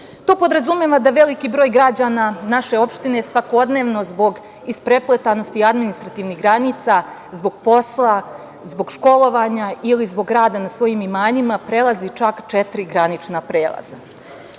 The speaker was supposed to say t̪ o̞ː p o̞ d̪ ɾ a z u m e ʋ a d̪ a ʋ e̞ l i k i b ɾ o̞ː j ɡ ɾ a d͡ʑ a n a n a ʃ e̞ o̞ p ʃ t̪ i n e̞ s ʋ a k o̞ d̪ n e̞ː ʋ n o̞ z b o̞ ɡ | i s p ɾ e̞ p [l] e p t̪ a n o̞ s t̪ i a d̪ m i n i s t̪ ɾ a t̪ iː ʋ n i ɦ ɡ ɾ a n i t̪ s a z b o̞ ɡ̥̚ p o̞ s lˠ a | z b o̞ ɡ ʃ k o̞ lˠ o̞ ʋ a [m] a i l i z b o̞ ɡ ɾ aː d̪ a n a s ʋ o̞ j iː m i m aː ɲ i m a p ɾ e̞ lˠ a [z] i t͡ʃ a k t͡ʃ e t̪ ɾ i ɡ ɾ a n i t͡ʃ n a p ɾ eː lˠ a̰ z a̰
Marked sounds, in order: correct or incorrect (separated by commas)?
correct, incorrect, correct